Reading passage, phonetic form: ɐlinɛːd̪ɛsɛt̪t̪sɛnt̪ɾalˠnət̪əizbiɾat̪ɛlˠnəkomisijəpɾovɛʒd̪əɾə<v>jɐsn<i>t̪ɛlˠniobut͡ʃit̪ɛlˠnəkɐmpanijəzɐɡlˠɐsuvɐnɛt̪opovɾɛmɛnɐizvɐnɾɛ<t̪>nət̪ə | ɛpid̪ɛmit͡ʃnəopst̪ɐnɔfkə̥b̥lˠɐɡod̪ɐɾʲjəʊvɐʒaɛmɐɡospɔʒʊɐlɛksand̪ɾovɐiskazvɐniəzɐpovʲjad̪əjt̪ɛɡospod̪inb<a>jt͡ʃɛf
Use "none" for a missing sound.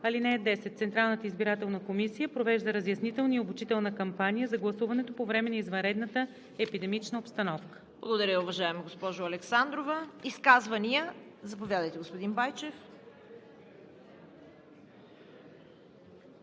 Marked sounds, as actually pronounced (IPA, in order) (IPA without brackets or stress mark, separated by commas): z, i, d̪, a